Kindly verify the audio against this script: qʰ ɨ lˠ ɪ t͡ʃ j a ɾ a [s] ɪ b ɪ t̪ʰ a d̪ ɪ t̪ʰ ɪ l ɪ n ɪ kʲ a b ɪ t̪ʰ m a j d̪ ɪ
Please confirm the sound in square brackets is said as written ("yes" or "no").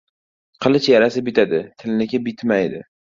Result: yes